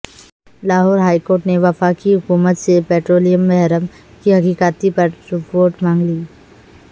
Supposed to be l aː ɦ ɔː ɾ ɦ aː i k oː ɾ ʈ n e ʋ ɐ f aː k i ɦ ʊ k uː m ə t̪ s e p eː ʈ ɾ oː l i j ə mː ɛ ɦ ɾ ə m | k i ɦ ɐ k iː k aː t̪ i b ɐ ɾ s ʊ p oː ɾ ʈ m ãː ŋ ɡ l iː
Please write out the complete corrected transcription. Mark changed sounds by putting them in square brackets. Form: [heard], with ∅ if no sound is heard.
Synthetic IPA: l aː ɦ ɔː ɾ ɦ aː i k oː ɾ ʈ n e ʋ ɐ f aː k i ɦ ʊ k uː m ə t̪ s e p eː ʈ ɾ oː l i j ə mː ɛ ɦ ɾ ə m | k i ɦ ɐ k iː k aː t̪ i [p] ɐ ɾ s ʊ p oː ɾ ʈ m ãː ŋ ɡ l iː